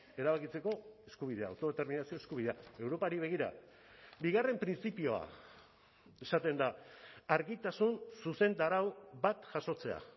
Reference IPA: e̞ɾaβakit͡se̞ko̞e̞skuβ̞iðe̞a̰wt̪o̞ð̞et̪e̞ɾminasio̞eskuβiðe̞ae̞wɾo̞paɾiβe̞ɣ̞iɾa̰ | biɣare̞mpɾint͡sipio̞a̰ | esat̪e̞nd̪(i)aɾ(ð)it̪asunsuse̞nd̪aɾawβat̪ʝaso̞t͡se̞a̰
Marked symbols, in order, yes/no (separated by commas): no, no